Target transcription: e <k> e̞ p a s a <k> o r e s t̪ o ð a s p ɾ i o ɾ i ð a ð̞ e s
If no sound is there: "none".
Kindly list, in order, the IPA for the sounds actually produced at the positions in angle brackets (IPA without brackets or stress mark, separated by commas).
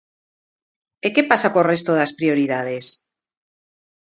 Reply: k, k